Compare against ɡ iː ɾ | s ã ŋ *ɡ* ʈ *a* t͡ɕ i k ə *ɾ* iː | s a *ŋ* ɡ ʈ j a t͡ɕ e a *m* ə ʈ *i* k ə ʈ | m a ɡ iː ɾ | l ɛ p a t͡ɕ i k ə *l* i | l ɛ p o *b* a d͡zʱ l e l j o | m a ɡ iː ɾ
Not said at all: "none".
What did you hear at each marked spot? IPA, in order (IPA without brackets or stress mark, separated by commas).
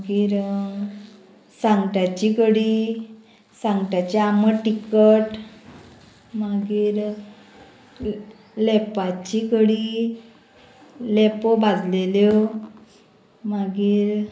ɡ, a, ɽ, ŋ, m, i, ɽ, b